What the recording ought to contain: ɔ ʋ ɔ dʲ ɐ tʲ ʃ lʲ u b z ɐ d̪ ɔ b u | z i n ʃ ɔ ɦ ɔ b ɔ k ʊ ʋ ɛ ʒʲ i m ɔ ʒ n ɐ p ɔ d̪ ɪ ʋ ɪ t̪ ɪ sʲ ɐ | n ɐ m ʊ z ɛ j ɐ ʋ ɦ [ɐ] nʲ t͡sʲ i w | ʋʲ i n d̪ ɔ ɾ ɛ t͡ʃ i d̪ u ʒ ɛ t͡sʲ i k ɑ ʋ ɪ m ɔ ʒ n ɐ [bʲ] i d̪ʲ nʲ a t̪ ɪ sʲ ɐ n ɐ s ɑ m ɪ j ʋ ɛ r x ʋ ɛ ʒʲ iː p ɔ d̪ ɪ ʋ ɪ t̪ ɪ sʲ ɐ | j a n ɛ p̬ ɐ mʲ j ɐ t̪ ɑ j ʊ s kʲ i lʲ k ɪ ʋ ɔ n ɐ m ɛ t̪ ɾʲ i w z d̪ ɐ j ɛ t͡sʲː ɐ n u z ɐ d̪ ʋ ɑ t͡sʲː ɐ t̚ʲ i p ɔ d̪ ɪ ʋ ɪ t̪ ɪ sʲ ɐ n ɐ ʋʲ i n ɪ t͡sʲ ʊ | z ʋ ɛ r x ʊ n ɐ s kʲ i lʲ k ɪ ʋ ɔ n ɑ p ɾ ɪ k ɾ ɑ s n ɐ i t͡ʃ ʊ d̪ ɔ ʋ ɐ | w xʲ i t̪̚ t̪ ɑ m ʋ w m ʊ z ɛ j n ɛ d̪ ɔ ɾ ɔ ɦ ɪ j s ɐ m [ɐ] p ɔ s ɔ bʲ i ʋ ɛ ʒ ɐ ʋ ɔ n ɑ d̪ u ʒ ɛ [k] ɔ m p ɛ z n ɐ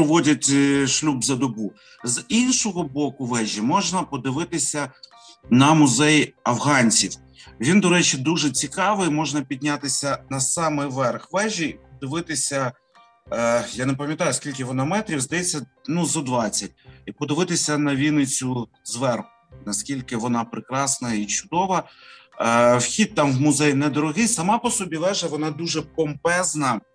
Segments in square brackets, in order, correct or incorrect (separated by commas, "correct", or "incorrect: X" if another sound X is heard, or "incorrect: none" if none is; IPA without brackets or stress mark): incorrect: ɑ, incorrect: pʲ, incorrect: ɑ, incorrect: p